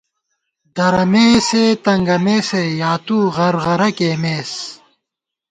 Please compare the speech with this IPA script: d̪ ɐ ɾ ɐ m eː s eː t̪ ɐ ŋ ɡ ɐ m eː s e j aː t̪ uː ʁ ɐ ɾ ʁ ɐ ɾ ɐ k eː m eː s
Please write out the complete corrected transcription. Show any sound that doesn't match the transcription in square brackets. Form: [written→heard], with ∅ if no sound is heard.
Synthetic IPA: d̪ ɐ ɾ ɐ m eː s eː t̪ ɐ ŋ ɡ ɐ m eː s e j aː t̪ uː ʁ ɐ ɾ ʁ ɐ ɾ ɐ k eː m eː s